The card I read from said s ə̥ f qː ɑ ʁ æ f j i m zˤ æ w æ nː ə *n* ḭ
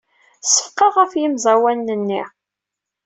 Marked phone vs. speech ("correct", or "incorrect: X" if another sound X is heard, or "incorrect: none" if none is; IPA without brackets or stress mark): incorrect: nː